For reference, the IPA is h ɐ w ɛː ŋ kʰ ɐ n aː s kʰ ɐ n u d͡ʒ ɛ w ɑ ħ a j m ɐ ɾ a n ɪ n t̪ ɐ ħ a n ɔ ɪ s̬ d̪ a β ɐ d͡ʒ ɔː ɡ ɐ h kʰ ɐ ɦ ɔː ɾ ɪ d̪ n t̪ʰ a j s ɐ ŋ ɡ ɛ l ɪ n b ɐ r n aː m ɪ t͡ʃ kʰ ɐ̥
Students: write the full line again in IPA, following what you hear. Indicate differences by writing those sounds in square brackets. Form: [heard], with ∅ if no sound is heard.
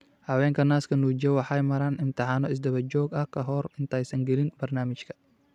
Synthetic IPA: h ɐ w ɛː ŋ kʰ ɐ n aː s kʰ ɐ n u d͡ʒ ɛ w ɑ ħ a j m ɐ ɾ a n ɪ n t̪ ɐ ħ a n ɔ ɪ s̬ d̪ [ɐ] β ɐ d͡ʒ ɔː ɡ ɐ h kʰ ɐ ɦ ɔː ɾ ɪ [∅] n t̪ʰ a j s ɐ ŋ ɡ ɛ l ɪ n b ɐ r n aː m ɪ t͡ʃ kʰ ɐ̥